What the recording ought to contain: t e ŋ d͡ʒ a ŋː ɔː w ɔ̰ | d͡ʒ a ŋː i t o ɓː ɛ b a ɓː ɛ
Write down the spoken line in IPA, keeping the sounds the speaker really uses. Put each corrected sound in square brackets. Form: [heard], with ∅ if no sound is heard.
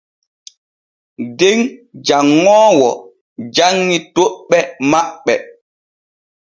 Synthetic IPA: [d] e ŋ d͡ʒ a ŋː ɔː w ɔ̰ | d͡ʒ a ŋː i t o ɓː ɛ [m] a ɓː ɛ